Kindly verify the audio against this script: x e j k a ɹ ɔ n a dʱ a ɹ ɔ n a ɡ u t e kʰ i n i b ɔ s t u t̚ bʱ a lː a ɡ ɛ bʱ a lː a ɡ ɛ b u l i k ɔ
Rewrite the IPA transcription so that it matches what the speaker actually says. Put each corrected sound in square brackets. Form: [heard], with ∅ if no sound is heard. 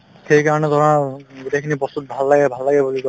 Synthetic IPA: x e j k a ɹ ɔ n [ɛ] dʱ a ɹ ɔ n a ɡ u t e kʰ i n i b ɔ s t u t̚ bʱ a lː a ɡ ɛ bʱ a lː a ɡ ɛ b u l i k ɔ